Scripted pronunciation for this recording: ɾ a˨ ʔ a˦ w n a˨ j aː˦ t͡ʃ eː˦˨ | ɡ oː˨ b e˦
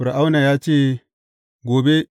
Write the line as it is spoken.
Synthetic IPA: ɾ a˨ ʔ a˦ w n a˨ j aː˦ t͡ʃ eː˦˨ | ɡ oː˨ b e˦